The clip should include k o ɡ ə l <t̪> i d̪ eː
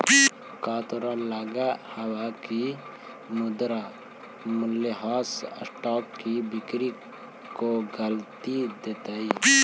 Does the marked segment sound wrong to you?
no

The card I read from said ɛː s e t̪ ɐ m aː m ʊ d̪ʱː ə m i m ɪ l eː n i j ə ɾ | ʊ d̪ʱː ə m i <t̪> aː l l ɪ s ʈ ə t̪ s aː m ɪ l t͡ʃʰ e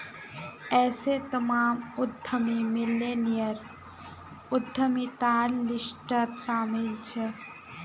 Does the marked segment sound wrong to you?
no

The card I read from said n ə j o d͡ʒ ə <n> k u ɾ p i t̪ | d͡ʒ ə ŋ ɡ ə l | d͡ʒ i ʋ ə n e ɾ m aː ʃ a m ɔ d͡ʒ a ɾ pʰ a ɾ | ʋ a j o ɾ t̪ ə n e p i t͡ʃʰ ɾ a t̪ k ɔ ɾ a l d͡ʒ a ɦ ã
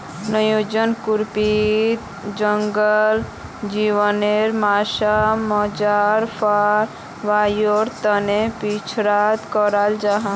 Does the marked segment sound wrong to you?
no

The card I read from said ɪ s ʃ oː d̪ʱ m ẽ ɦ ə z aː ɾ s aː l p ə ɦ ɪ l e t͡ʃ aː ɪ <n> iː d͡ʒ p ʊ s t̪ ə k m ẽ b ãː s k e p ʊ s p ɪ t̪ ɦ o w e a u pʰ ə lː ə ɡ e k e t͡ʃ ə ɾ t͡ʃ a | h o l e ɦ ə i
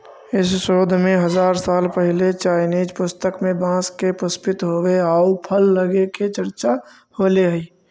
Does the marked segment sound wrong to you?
no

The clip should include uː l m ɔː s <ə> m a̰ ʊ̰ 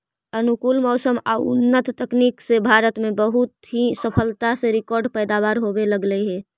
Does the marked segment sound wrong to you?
no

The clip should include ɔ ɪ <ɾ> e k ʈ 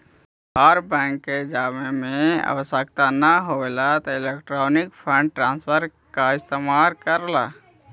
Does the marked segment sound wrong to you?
yes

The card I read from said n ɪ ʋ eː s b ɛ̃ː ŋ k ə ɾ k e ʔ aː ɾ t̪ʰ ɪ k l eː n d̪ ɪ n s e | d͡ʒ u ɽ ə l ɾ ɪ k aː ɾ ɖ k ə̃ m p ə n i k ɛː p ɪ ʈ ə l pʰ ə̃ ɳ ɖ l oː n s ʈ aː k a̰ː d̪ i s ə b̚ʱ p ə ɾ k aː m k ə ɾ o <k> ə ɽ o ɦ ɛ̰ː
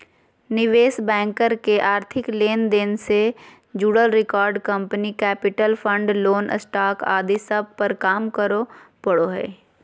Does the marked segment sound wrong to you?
yes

